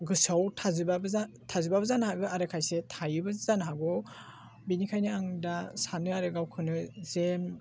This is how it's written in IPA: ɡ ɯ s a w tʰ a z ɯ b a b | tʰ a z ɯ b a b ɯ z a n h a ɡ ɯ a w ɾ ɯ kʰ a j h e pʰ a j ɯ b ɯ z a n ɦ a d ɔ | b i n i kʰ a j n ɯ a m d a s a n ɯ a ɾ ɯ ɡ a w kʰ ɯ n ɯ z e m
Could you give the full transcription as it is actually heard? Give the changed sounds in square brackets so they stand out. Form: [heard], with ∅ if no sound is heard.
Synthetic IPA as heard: ɡ ɯ s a w tʰ a z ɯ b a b | tʰ a z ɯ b a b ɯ z a n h a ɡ ɯ a [∅] ɾ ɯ kʰ a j [s] e [tʰ] a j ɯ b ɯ z a n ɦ a [ɡ] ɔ | b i n i kʰ a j n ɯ a [ŋ] d a s a n ɯ a ɾ ɯ ɡ a w kʰ ɯ n ɯ z e m